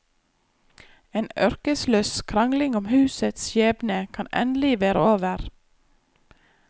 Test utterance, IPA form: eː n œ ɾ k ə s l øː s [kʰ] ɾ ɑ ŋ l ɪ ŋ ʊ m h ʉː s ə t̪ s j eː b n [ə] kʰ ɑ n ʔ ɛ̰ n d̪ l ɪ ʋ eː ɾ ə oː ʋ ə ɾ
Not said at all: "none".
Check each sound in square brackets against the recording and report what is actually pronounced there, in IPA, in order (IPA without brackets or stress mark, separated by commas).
kʰ, ə